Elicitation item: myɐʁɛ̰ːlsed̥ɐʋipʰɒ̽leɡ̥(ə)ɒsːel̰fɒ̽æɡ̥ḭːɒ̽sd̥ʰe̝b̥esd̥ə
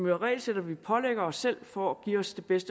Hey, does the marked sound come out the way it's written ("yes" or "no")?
no